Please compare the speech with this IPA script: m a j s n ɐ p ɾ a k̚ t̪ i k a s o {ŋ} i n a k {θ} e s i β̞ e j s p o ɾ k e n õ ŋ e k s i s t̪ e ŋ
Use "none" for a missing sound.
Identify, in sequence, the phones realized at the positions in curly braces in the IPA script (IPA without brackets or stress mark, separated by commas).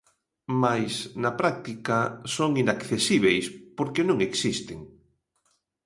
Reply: ŋ, θ